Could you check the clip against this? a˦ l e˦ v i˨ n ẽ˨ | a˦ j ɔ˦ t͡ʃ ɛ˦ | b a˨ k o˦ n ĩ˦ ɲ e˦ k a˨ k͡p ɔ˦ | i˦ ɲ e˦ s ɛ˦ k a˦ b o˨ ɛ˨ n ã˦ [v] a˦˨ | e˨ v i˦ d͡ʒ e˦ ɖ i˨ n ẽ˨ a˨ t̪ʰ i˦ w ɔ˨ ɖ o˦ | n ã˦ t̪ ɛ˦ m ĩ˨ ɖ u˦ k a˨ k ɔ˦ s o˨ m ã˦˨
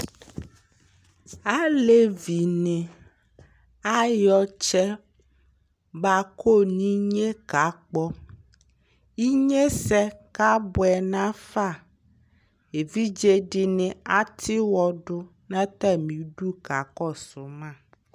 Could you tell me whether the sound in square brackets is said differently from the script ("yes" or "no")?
yes